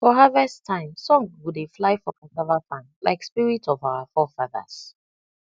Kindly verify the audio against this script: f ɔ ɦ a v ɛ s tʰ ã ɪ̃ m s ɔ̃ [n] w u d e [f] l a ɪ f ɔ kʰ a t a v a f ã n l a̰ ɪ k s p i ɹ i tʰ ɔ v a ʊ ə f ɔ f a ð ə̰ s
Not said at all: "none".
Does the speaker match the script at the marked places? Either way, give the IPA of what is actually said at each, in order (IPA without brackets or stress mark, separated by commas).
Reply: ŋ, f